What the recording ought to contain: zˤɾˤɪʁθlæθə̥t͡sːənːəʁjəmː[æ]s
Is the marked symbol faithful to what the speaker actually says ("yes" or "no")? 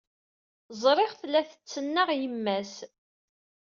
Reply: yes